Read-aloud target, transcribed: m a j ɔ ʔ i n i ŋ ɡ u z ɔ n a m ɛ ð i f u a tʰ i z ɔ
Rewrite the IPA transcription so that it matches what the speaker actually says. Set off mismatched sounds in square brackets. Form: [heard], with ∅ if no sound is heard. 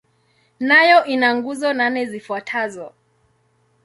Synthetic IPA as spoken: [n] a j ɔ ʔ i n [a] ŋ ɡ u z ɔ n a [n] ɛ [z] i f u a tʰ [a] z ɔ